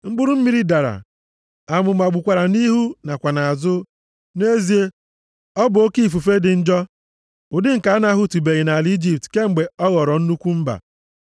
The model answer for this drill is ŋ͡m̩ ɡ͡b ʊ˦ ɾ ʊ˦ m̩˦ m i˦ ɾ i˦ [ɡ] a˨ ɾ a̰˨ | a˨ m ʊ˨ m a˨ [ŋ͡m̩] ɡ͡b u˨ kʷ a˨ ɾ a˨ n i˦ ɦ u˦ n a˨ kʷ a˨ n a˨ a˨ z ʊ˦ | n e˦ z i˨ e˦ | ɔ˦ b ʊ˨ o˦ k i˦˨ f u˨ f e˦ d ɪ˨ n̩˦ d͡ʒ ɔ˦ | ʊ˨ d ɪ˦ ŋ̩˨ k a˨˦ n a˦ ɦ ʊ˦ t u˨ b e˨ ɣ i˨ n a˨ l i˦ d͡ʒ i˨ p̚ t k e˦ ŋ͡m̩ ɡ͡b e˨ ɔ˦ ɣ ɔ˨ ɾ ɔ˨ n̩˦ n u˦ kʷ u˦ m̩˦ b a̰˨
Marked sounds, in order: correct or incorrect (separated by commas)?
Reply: incorrect, incorrect